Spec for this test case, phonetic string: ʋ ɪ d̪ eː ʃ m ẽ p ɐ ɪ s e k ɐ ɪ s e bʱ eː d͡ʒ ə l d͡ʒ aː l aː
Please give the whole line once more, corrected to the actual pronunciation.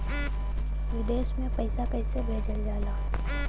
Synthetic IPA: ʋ ɪ d̪ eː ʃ m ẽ p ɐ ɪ s a k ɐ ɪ s e bʱ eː d͡ʒ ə l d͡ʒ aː l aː

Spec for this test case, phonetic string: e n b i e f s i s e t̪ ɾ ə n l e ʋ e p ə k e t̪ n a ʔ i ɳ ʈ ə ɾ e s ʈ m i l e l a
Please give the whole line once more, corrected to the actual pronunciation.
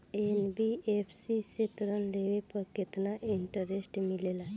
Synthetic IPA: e n b i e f s i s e t̪ ɾ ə n l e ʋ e p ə k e t̪ n a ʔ i ɳ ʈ ə ɾ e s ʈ m i l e l a

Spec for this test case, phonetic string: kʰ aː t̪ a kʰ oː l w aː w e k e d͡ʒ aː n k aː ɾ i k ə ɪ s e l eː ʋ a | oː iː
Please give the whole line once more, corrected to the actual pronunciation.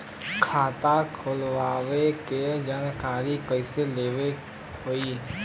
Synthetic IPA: kʰ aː t̪ a kʰ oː l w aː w e k e d͡ʒ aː n k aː ɾ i k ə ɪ s e l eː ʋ e | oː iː

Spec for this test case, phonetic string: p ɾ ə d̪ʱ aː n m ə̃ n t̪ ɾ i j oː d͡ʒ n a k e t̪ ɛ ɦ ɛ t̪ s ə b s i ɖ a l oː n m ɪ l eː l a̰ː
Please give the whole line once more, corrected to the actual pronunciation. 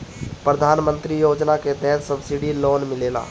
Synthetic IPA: p ɾ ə d̪ʱ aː n m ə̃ n t̪ ɾ i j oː d͡ʒ n a k e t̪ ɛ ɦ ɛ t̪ s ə b s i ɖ i l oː n m ɪ l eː l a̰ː

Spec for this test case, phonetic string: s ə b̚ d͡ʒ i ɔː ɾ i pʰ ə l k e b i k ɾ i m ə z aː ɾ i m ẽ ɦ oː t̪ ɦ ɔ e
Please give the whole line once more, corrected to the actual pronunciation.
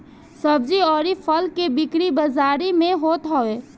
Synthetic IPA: s ə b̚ d͡ʒ i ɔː ɾ i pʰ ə l k e b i k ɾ i b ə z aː ɾ i m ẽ ɦ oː t̪ ɦ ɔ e

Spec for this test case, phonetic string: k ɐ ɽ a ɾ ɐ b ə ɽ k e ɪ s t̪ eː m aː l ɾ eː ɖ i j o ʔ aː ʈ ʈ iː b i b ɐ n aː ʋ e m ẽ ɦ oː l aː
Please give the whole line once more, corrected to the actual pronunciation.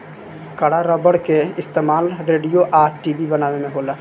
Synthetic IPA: k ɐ ɽ a ɾ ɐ b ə ɽ k e ɪ s t̪ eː m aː l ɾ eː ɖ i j o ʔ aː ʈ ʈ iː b i b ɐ n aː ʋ e m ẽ ɦ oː l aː

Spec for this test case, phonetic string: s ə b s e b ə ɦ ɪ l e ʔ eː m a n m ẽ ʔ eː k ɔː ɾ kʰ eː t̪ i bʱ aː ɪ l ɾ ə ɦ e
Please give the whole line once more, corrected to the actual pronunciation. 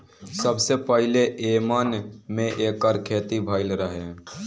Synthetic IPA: s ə b s e p ə ɦ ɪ l e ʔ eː m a n m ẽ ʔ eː k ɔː ɾ kʰ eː t̪ i bʱ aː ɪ l ɾ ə ɦ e

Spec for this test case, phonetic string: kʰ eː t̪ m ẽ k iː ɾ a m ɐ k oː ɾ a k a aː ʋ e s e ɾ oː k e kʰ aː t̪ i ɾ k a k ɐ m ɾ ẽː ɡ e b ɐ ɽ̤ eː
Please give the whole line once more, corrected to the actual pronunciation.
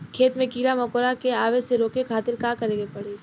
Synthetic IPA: kʰ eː t̪ m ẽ k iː ɾ a m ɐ k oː ɾ a k e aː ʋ e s e ɾ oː k e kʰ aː t̪ ɪ ɾ k a k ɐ ɾ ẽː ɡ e p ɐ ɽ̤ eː

